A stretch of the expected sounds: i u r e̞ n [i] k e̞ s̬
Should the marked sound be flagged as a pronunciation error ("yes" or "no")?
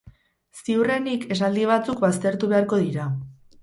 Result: no